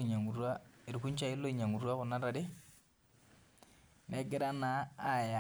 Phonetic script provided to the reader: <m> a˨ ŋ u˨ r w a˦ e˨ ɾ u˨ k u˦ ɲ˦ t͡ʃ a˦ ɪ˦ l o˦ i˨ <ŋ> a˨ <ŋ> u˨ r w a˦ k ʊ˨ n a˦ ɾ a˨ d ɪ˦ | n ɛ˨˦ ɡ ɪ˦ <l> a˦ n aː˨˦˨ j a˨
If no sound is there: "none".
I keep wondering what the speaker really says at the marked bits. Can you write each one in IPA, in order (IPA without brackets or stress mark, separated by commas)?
ɲ, ɲ, ŋ, ɾ